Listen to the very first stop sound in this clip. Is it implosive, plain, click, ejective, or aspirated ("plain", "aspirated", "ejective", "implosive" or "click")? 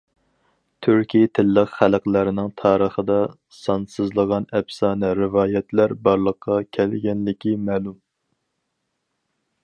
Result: aspirated